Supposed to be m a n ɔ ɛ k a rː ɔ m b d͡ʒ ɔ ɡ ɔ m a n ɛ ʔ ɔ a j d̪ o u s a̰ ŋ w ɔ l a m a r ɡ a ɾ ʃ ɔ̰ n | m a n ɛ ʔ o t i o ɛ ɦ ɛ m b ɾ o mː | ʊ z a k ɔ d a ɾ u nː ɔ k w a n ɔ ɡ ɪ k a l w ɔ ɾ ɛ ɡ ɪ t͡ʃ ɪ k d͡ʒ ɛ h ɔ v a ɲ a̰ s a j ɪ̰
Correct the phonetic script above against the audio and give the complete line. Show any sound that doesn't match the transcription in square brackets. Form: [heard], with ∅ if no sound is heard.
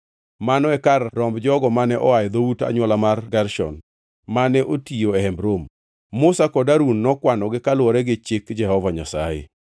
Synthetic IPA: m a n ɔ ɛ k a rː ɔ m b d͡ʒ ɔ ɡ ɔ m a n ɛ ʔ ɔ a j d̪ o u [t] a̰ [ɲ] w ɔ l a m a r ɡ a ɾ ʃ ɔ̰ n | m a n ɛ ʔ o t i o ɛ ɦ ɛ m b ɾ o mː | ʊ [s] a k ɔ d a ɾ u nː ɔ k w a n ɔ ɡ ɪ k a l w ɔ ɾ ɛ ɡ ɪ t͡ʃ ɪ k d͡ʒ ɛ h ɔ v a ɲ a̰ s a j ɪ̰